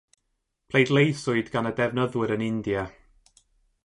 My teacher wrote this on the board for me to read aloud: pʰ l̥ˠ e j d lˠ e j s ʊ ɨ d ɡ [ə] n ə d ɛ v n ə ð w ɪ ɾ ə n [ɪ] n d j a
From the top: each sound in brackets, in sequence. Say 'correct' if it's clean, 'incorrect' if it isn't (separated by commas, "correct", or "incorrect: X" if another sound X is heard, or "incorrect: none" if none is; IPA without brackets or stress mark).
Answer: incorrect: a, correct